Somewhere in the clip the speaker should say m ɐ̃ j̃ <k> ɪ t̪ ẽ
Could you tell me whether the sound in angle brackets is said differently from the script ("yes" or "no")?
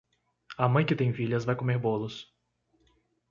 no